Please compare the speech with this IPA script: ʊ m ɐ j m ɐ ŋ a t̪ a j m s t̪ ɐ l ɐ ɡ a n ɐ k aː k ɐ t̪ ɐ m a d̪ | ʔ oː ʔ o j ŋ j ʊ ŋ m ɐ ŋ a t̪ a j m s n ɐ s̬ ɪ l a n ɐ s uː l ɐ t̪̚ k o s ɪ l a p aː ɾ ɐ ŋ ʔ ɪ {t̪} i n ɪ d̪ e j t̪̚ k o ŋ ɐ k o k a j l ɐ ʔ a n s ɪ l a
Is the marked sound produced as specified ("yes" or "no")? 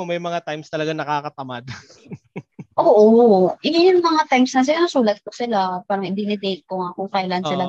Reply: no